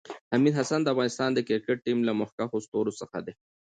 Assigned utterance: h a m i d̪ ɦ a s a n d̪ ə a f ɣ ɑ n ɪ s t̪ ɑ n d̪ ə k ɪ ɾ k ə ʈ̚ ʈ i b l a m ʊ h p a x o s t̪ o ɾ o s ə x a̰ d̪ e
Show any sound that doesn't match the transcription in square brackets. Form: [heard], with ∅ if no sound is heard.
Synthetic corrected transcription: h a m i d̪ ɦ a s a n d̪ ə a f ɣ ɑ n ɪ s t̪ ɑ n d̪ ə k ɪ ɾ k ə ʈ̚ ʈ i [m] l a m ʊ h [k] a x o s t̪ o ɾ o s ə x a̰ d̪ e